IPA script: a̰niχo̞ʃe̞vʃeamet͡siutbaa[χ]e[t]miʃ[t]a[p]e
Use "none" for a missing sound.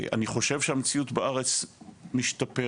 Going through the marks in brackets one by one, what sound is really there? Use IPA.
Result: ʁ, t͡s, t, p

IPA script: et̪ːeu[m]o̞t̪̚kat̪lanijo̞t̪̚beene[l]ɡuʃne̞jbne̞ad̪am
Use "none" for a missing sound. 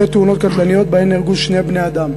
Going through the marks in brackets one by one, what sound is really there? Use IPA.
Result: n, l

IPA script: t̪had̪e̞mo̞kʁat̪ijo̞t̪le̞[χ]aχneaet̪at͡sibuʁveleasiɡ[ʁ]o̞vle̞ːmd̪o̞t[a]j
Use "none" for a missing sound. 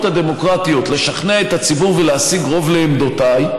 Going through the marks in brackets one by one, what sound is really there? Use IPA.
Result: ʃ, ʁ, a

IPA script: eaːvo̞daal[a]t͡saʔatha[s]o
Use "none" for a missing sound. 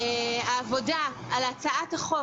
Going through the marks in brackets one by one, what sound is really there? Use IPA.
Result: a, χ

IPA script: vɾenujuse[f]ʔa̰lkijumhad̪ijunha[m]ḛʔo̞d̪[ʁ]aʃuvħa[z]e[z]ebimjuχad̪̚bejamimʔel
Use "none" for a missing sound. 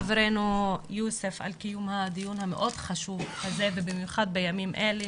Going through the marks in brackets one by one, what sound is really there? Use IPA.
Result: f, m, χ, z, v

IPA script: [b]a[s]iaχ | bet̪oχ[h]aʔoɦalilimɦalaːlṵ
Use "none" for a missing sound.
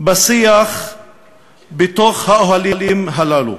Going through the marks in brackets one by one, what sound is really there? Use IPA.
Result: b, s, h

